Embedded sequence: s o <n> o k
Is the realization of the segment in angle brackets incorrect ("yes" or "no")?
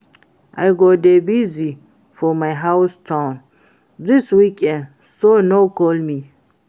no